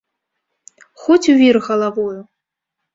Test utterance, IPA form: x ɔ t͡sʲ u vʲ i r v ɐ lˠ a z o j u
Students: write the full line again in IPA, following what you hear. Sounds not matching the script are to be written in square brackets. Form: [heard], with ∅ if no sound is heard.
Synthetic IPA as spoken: x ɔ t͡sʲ u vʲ i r [ɣ] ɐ lˠ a [v] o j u